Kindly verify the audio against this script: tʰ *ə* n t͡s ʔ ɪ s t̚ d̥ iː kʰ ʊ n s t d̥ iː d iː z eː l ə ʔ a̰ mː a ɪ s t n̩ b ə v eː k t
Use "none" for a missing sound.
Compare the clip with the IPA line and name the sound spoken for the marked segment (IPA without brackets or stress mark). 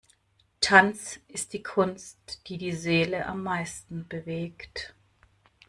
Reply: a